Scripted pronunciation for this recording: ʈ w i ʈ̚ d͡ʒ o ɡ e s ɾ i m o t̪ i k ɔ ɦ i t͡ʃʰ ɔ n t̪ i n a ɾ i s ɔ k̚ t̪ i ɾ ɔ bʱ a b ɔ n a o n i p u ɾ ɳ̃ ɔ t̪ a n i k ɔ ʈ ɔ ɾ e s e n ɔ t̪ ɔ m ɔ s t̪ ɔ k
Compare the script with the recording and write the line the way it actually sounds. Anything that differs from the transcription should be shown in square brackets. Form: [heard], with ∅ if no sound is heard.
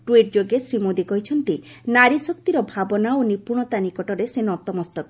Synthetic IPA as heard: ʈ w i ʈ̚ d͡ʒ o ɡ e s ɾ i m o [d̪] i k ɔ ɦ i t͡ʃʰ ɔ n t̪ i n a ɾ i s ɔ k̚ t̪ i ɾ ɔ bʱ a b ɔ n a o n i p u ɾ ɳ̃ ɔ t̪ a n i k ɔ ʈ ɔ ɾ e s e n ɔ t̪ ɔ m ɔ s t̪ ɔ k

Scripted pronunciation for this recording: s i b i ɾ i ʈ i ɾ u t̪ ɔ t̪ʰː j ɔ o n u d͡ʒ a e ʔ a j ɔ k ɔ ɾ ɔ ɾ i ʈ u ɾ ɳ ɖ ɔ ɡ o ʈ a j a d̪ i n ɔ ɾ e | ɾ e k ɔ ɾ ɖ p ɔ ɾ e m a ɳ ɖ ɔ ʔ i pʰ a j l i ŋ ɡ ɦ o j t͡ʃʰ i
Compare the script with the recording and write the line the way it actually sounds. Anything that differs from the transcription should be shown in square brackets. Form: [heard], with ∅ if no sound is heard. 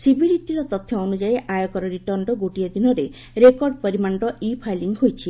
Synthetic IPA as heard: s i b i ɾ i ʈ i ɾ [ɔ] t̪ ɔ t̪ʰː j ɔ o n u d͡ʒ a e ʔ a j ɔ k ɔ ɾ ɔ ɾ i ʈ [ɔ] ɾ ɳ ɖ ɔ ɡ o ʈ [i] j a d̪ i n ɔ ɾ e | ɾ e k ɔ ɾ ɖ p ɔ ɾ [i] m a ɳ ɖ ɔ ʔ i pʰ a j l i ŋ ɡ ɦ o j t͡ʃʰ i

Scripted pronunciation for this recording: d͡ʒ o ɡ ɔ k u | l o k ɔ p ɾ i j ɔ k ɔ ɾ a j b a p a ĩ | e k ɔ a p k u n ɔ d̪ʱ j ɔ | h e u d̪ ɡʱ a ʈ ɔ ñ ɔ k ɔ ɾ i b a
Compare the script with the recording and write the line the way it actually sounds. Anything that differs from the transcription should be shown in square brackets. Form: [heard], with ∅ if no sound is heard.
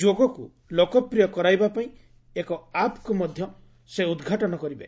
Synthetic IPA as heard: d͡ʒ o ɡ ɔ k u | l o k ɔ p ɾ i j ɔ k ɔ ɾ a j b a p a ĩ | e k ɔ a p k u [m] ɔ d̪ʱ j ɔ | [s] e u d̪ ɡʱ a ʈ ɔ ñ ɔ k ɔ ɾ i b [e]

